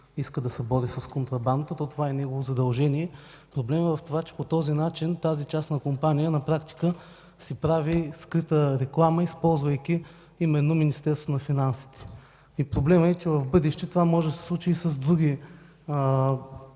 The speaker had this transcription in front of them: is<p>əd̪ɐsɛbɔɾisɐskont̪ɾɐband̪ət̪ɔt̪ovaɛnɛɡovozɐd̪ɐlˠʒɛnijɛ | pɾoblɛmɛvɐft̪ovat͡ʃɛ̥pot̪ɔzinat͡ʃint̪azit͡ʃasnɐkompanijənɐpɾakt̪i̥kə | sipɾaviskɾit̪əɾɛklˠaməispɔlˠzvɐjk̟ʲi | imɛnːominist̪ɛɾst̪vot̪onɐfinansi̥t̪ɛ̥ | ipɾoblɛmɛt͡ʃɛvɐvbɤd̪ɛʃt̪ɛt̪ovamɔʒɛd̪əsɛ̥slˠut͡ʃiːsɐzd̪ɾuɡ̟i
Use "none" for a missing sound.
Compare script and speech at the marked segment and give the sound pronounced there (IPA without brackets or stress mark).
k